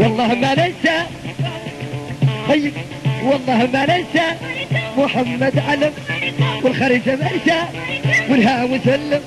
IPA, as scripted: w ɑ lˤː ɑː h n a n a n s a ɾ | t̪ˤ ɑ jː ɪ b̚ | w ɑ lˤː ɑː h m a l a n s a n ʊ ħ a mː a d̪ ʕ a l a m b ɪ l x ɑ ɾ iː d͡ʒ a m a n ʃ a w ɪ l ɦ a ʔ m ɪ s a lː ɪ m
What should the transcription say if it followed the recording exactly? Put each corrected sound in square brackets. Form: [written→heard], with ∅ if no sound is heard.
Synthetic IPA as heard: w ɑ lˤː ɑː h [n→m] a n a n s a [ɾ→∅] | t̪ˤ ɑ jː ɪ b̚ | w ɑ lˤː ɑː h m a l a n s a [n→m] ʊ ħ a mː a d̪ ʕ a l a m [b→w] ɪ l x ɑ ɾ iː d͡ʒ a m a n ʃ a w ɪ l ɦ a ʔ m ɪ s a lː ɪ m